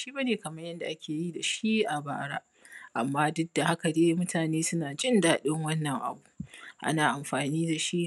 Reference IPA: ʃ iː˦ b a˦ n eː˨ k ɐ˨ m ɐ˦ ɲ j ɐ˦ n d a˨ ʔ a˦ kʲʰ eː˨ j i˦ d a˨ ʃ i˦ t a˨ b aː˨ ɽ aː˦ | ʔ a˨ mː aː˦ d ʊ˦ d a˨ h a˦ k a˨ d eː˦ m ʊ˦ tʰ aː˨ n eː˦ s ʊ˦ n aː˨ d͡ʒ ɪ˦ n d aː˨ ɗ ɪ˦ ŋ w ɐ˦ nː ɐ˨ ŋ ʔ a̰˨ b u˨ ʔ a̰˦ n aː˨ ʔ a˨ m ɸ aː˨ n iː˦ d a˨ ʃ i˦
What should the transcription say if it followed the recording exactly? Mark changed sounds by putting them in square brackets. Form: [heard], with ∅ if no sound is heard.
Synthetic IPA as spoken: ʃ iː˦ b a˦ n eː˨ k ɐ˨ m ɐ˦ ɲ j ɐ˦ n d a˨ ʔ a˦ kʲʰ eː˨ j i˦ d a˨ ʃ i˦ [ʔ] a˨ b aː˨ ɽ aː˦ | ʔ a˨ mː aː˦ d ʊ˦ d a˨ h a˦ k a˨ d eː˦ m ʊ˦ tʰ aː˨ n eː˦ s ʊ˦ n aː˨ d͡ʒ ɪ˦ n d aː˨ ɗ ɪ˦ ŋ w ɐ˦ nː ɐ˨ ŋ ʔ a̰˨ b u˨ ʔ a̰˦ n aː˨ ʔ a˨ m ɸ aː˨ n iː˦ d a˨ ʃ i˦